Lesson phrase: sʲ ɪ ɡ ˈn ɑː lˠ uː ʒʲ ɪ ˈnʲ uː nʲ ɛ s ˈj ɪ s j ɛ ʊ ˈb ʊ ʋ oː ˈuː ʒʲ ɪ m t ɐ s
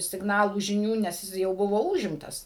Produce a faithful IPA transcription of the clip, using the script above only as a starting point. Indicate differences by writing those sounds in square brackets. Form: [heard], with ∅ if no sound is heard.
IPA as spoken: sʲ ɪ ɡ ˈn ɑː lˠ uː ʒʲ ɪ ˈnʲ uː nʲ ɛ s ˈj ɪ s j ɛ ʊ ˈb ʊ ʋ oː ˈuː ʒʲ ɪ m t ɐ s